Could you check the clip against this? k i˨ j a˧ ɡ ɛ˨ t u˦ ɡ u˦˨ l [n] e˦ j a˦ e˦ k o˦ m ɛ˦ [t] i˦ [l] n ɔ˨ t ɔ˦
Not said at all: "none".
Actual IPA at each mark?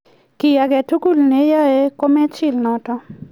n, t͡ʃ, l

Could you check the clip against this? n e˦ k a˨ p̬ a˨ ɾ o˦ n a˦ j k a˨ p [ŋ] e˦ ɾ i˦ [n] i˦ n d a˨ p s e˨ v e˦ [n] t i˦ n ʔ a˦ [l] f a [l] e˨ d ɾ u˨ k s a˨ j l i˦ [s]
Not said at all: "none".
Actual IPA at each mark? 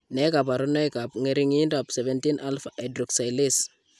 ŋ, ŋ, n, l, none, s

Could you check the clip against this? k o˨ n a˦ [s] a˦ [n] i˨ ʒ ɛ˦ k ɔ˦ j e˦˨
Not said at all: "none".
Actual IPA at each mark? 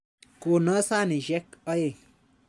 s, n

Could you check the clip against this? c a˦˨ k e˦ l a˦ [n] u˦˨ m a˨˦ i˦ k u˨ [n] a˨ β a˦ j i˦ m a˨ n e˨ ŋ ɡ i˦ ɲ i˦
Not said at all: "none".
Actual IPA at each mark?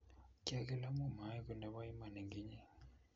m, n

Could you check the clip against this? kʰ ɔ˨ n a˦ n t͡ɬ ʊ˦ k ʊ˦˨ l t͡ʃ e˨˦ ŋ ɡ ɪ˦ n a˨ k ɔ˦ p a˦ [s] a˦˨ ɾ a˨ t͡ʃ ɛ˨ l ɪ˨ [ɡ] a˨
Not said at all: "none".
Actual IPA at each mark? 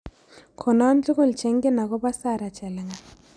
s, ŋ

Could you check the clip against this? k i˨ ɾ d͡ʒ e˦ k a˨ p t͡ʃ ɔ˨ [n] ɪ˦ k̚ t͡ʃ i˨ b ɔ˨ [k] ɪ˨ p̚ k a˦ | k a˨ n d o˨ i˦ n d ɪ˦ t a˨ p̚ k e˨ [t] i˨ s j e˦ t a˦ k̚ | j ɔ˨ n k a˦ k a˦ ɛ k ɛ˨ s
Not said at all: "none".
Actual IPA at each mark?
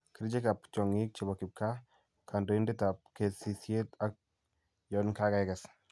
ŋ, k, s

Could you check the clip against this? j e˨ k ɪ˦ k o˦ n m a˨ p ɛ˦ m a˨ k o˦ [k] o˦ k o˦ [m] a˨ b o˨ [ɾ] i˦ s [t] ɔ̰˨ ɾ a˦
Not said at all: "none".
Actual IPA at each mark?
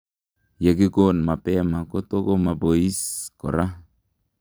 t, m, none, k

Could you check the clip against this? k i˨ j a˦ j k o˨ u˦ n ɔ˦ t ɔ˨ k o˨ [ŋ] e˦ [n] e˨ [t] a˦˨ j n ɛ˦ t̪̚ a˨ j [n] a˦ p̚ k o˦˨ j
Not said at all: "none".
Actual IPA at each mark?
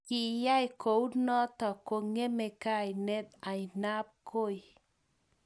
ŋ, m, k, n

